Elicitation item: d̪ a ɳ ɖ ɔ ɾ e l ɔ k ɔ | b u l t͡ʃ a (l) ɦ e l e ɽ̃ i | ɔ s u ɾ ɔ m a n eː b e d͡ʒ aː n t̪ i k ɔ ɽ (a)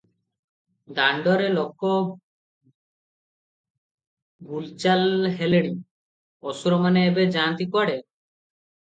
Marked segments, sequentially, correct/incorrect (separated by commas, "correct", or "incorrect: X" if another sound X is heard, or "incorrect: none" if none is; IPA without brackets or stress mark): correct, incorrect: e